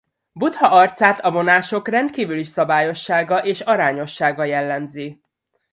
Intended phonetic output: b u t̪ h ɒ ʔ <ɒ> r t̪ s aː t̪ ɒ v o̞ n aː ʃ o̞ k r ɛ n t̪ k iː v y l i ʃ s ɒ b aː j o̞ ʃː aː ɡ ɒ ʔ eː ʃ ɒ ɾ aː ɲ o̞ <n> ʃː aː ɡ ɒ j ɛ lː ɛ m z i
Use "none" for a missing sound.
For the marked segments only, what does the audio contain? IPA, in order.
ɒ, none

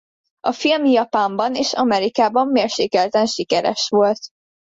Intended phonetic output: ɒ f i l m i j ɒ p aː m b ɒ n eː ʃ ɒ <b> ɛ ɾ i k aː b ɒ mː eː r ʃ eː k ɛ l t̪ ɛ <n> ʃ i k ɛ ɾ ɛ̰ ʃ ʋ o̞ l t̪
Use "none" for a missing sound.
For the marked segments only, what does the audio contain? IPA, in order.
m, n

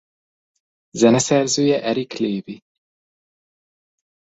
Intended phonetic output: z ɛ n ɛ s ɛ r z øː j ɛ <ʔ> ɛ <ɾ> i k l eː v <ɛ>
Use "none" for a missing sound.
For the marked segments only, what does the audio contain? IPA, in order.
ʔ, ɾ, i

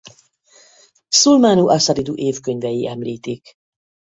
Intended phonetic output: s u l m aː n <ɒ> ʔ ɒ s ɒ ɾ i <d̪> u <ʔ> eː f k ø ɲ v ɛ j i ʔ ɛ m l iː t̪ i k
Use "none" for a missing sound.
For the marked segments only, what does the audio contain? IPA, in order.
u, d̪, ʔ

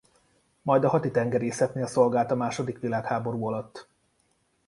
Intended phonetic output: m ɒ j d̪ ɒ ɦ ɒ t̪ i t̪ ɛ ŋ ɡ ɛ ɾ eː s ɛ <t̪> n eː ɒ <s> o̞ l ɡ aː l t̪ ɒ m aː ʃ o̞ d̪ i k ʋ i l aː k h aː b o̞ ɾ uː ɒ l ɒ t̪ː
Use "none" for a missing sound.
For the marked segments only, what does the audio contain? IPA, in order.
t̪, s

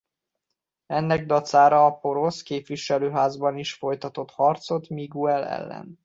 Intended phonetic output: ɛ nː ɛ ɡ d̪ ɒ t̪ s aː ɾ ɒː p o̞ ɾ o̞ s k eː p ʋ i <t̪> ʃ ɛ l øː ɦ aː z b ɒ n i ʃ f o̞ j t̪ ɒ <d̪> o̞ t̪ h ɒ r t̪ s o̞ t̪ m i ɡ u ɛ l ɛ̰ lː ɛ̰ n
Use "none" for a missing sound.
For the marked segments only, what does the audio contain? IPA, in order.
none, t̪

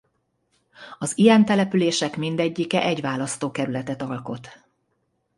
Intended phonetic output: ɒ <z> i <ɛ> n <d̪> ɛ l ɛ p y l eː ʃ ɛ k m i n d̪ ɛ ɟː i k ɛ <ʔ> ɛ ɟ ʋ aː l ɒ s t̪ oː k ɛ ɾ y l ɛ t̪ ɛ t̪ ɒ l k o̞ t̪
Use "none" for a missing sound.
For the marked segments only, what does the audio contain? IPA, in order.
z, ɛ, t̪, ʔ

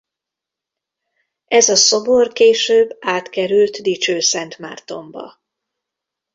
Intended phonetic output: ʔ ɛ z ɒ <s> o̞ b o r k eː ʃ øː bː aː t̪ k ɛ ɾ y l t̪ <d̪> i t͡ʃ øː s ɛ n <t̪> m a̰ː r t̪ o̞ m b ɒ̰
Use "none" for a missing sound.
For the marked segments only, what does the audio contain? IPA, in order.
s, d̪, t̪

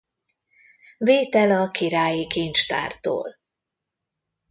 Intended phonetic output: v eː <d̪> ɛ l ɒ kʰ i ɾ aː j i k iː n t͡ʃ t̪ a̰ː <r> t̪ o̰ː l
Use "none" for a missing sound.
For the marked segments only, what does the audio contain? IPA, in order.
t̪, r

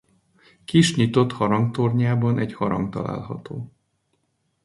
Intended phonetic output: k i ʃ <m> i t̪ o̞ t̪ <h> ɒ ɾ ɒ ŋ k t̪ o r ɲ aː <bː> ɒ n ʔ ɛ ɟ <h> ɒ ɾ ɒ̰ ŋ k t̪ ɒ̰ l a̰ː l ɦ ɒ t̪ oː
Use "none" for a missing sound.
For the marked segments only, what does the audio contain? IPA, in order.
ɲ, h, b, h

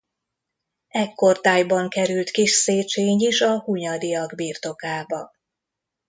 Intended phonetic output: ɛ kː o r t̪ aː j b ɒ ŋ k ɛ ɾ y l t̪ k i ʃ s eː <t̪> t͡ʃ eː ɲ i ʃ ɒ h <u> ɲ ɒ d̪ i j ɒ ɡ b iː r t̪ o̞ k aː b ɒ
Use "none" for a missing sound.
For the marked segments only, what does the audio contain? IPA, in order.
none, u

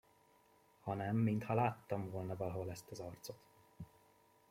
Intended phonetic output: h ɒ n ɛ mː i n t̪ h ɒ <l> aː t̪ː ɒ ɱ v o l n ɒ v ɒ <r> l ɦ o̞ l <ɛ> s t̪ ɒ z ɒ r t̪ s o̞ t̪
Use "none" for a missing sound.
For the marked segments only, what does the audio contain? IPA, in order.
l, none, ɛ

